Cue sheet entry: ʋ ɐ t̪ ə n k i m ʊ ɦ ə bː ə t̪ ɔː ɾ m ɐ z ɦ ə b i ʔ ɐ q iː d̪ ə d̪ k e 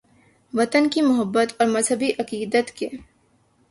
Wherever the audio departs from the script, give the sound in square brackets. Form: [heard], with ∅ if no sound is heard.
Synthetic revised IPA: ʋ ɐ t̪ ə n k i m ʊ ɦ ə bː ə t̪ ɔː ɾ m ɐ z ɦ ə b i ʔ ɐ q iː d̪ ə [t̪] k e